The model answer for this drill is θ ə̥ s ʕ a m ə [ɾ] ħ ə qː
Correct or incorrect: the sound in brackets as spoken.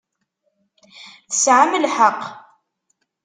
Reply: incorrect: l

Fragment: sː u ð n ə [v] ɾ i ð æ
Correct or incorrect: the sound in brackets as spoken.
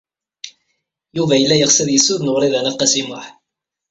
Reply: incorrect: ʁ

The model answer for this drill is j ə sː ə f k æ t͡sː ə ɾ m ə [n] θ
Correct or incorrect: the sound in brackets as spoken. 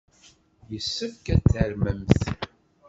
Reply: incorrect: m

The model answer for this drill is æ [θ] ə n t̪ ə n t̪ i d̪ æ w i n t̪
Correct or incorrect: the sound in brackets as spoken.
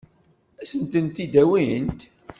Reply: incorrect: s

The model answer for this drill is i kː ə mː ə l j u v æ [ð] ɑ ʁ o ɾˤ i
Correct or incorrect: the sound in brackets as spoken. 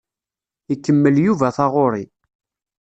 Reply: incorrect: θ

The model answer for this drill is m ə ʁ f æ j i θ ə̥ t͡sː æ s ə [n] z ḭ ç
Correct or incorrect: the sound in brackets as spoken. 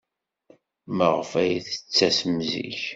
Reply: incorrect: m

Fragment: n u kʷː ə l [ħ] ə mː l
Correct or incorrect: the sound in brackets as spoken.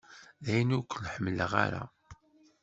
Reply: correct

